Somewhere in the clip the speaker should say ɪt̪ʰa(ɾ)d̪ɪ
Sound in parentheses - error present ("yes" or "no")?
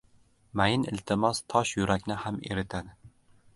yes